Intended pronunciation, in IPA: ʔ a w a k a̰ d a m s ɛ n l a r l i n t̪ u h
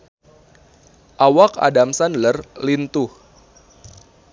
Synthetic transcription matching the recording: ʔ a w a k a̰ d a m s a n l ə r l i n t̪ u h